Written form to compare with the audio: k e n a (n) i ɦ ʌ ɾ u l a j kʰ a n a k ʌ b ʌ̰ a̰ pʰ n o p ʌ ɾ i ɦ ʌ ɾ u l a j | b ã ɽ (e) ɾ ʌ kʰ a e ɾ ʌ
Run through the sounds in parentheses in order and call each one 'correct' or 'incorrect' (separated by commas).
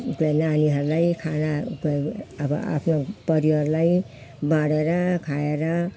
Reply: correct, correct